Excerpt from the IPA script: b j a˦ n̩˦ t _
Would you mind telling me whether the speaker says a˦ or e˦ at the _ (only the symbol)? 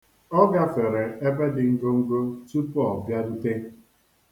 e˦